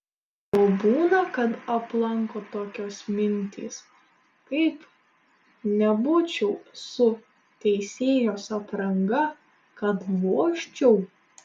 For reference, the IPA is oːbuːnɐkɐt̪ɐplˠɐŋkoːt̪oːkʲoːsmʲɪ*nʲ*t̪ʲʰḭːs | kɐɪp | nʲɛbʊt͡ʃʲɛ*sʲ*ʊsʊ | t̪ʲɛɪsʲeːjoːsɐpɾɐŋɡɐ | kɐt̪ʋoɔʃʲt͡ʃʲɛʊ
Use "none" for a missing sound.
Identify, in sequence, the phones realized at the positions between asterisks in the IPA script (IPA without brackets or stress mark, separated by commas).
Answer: nʲ, none